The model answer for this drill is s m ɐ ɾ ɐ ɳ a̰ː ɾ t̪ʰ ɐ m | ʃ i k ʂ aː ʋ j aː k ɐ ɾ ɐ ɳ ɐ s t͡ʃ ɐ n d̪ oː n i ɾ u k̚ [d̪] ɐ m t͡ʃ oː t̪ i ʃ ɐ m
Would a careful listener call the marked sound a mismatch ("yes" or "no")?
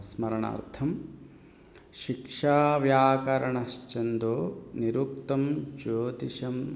yes